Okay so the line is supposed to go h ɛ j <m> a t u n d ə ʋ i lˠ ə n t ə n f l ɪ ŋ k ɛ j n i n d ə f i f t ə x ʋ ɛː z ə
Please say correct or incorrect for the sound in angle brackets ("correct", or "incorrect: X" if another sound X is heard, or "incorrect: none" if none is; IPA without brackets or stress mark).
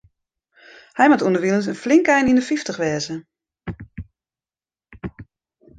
correct